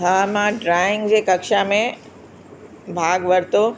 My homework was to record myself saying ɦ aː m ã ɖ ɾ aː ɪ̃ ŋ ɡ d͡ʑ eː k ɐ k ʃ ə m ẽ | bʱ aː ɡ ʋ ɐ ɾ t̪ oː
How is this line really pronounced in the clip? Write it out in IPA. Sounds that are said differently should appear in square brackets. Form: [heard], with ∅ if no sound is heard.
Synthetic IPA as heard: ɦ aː m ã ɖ ɾ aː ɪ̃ ŋ ɡ d͡ʑ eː k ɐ k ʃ [a] m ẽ | bʱ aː ɡ ʋ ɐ ɾ t̪ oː